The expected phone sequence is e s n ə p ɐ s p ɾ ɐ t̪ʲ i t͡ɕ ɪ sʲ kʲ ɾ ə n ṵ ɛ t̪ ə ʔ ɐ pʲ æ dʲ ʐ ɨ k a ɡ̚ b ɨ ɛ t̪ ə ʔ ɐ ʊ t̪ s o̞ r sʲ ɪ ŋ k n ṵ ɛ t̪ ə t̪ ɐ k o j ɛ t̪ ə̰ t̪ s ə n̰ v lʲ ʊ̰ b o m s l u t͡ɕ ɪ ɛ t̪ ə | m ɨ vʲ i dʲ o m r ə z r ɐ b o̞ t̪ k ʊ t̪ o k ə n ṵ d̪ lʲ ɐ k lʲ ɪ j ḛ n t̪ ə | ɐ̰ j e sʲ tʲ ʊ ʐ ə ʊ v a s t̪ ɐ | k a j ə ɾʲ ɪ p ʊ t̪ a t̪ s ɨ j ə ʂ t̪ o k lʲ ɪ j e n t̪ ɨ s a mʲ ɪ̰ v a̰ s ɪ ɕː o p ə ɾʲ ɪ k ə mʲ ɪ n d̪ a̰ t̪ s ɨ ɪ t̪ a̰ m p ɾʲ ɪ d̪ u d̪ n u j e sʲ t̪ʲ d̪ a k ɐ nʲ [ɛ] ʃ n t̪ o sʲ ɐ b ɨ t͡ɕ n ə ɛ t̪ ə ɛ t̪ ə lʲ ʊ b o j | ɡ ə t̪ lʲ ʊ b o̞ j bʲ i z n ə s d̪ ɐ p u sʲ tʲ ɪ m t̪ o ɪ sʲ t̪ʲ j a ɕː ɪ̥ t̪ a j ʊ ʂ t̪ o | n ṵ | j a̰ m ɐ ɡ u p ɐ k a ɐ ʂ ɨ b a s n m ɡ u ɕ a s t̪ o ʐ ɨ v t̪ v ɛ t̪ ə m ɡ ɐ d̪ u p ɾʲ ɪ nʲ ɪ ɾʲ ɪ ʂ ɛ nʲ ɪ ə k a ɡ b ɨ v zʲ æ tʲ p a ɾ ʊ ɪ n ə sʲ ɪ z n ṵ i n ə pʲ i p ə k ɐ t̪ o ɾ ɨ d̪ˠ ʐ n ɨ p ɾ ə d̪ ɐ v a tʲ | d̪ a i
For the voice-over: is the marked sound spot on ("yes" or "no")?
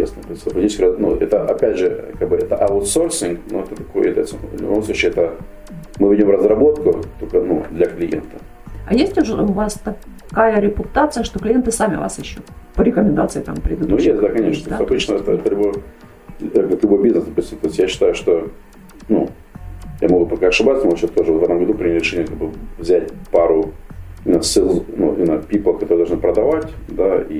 no